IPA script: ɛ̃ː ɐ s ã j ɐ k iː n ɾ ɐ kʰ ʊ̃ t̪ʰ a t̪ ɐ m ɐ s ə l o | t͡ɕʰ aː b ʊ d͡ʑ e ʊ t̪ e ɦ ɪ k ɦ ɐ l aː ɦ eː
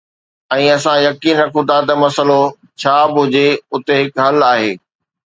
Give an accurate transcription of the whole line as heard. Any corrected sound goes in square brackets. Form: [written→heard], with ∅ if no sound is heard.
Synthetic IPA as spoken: ɛ̃ː ɐ s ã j ɐ k iː n ɾ ɐ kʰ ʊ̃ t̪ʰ a t̪ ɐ m ɐ s ə l o | t͡ɕʰ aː b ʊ d͡ʑ e ʊ t̪ e ɦ ɪ k ɦ ɐ l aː ɦ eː